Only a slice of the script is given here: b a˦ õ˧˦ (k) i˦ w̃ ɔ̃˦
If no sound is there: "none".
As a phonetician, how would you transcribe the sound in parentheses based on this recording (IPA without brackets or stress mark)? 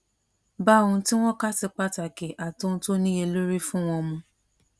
t